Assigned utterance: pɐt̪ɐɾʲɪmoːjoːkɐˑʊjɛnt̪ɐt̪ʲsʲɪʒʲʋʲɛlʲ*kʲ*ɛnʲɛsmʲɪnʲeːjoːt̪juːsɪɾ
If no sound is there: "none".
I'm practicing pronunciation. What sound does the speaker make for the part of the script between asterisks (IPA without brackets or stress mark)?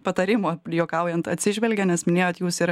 ɡʲ